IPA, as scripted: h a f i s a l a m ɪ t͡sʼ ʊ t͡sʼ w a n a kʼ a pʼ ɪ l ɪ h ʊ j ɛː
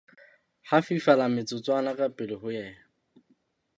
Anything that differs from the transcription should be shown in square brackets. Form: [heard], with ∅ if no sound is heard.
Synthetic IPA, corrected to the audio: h a f i [f] a l a m ɪ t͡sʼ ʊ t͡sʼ w a n a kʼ a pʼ ɪ l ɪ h ʊ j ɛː